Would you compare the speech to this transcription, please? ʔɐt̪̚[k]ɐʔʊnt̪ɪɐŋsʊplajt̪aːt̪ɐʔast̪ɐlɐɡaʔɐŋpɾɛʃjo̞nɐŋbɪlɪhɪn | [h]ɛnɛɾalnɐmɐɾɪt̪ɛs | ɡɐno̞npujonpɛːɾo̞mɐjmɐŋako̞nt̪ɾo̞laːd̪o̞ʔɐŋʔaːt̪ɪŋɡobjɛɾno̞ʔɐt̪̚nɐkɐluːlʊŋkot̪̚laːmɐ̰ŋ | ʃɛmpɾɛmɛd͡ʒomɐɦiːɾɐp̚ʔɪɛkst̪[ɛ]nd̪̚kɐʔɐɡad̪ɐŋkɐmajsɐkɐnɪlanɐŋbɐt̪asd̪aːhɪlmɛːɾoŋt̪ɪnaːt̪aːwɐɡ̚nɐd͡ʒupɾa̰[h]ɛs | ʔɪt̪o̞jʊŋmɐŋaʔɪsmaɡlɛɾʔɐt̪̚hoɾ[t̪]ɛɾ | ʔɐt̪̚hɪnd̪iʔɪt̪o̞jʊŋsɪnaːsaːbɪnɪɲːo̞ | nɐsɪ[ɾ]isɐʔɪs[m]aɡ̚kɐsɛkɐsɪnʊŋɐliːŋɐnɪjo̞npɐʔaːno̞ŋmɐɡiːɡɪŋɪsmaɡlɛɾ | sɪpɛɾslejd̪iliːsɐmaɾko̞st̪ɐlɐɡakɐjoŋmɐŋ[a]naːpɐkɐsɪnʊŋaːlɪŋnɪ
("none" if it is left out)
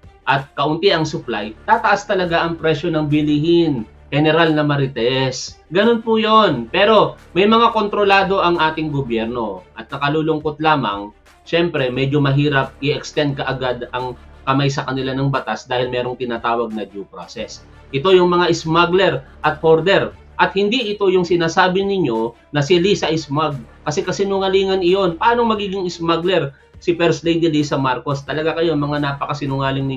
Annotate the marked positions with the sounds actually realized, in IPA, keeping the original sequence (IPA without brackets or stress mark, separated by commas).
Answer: k, h, ɛ, s, d̪, l, m, a